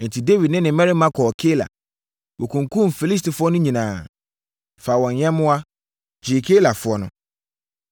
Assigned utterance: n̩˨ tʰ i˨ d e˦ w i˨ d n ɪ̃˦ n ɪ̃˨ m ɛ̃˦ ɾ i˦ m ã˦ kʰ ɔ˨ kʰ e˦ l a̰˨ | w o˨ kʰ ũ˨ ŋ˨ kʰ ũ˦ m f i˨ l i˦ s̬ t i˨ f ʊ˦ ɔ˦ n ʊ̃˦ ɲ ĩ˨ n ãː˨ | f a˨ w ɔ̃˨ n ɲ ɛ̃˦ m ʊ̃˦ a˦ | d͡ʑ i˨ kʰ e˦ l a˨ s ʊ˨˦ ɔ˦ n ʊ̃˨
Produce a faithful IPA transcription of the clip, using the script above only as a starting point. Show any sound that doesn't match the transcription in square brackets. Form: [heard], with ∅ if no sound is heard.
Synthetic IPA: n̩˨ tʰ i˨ d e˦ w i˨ d n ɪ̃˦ n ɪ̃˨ m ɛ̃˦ ɾ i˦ m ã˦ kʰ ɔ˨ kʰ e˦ l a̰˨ | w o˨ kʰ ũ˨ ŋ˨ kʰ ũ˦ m f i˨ l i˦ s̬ t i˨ f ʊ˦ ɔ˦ n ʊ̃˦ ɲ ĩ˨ n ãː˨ | f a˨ w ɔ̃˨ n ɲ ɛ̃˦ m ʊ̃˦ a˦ | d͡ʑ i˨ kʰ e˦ l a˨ [f] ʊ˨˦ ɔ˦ n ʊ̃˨